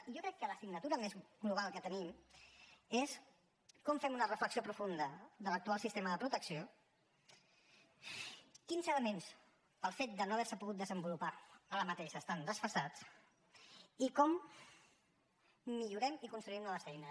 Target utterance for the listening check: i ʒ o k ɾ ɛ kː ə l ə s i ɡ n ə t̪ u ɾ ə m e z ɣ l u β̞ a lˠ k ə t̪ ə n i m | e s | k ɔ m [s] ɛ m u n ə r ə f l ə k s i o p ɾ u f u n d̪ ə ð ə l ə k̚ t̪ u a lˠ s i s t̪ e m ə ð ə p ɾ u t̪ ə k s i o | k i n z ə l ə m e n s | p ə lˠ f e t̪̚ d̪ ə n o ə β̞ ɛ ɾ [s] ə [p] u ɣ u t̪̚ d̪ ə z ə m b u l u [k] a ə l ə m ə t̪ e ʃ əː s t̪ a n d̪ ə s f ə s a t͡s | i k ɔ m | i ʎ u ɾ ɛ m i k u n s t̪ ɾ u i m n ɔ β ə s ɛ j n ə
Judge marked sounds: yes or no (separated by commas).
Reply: no, yes, yes, no